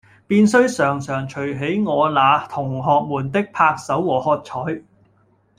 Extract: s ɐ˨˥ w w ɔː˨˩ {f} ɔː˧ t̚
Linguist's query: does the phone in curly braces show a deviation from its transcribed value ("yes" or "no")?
yes